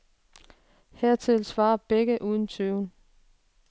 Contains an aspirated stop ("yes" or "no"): yes